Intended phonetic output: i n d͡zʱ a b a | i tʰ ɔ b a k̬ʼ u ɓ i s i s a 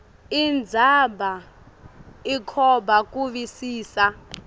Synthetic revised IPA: i n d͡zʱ a b a | i kʰ ɔ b a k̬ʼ u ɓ i s iː s a